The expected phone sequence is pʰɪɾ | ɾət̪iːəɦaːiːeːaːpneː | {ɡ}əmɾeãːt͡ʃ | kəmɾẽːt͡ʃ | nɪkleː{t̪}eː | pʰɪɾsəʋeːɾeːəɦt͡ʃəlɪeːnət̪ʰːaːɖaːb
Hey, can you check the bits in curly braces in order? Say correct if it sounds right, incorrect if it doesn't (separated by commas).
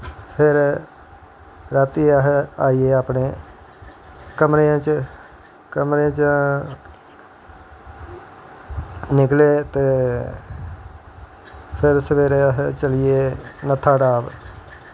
incorrect, correct